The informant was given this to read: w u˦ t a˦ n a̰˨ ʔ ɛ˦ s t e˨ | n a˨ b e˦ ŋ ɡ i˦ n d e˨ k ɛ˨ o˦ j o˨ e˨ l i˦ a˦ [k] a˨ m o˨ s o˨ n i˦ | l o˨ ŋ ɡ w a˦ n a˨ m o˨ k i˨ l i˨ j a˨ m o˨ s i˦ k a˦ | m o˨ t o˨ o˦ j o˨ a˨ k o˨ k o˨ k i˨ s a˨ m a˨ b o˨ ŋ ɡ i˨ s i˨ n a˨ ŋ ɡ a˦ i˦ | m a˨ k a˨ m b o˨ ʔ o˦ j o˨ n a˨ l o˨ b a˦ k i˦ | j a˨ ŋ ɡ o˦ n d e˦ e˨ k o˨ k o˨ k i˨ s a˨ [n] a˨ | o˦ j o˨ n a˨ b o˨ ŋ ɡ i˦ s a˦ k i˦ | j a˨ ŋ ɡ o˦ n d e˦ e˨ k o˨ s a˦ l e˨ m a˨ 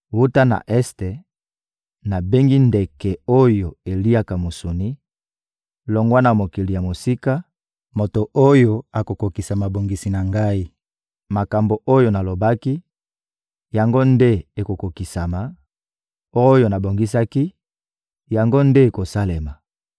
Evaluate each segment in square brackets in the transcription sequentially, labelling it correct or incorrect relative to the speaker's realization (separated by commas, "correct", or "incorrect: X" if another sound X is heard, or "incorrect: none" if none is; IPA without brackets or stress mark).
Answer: correct, incorrect: m